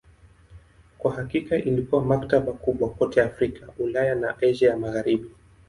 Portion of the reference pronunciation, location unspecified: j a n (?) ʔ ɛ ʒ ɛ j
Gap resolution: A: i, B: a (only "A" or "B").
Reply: B